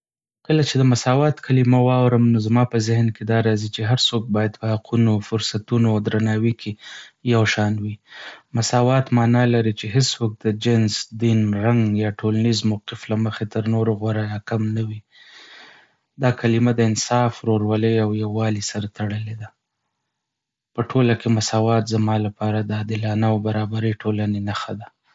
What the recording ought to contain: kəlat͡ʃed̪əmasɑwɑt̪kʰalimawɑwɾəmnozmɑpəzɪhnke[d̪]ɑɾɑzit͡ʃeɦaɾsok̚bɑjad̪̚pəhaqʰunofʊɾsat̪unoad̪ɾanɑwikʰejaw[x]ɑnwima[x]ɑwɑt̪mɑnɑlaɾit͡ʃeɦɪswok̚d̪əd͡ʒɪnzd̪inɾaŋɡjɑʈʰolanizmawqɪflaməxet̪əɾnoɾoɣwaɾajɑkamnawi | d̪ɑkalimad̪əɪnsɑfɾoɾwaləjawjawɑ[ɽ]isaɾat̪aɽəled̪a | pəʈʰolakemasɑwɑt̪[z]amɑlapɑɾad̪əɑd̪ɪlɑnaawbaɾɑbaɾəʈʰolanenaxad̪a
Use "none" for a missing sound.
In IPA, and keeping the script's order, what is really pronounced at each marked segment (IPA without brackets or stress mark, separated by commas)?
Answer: d̪, ʃ, s, l, z